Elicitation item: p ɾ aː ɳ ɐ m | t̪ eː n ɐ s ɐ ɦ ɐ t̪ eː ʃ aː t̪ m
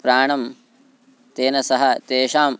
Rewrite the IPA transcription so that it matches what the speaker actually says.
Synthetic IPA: p ɾ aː ɳ ɐ m | t̪ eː n ɐ s ɐ ɦ ɐ t̪ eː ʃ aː m